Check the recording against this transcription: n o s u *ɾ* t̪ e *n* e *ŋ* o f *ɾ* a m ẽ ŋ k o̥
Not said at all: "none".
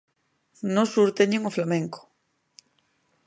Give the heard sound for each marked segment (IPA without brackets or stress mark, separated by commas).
ɾ, ɲ, ŋ, l